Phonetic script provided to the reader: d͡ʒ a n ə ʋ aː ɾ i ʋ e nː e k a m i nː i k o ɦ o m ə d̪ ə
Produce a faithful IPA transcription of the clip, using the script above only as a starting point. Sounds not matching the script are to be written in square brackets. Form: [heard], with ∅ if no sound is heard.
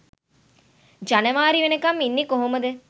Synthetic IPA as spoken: d͡ʒ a n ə ʋ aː ɾ i ʋ e [n] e k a m i nː i k o ɦ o m ə d̪ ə